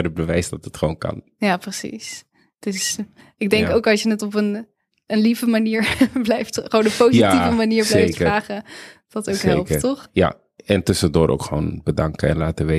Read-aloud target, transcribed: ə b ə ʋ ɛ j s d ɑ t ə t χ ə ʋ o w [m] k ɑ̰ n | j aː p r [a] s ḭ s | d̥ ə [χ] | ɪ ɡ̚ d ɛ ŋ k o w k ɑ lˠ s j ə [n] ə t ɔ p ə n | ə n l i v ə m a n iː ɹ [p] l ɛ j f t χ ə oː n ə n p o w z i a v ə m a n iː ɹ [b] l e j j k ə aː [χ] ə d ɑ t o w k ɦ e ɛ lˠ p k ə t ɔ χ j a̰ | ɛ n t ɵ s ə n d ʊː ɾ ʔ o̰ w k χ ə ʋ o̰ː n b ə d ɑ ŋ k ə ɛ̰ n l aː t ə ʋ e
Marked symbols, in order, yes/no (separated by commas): no, no, no, yes, no, yes, yes